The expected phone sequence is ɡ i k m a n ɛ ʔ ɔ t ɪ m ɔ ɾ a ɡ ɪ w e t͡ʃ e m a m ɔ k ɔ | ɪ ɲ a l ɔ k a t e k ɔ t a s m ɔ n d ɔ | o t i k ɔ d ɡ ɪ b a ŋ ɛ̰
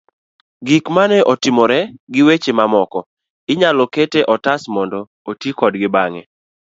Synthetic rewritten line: ɡ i k m a n ɛ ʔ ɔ t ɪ m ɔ ɾ ɛ ɡ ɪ w e t͡ʃ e m a m ɔ k ɔ | ɪ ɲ a l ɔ k e t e ʔ ɔ t a s m ɔ n d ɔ | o t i k ɔ d ɡ ɪ b a ŋ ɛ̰